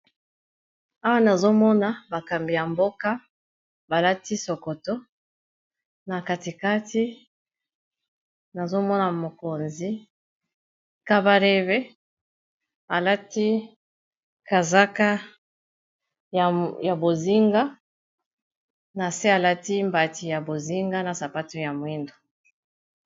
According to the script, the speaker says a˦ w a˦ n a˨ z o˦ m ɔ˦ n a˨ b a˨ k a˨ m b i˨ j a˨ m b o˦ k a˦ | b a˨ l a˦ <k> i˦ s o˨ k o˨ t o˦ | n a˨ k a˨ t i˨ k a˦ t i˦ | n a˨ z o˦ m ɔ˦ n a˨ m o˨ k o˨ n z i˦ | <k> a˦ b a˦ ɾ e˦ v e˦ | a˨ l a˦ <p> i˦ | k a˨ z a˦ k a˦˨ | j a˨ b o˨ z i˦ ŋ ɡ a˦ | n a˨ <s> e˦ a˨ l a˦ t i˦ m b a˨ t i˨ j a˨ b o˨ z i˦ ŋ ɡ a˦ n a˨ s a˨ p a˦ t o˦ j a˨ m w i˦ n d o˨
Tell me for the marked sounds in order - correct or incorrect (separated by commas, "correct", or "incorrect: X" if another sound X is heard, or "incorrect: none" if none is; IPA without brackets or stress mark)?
incorrect: t, correct, incorrect: t, correct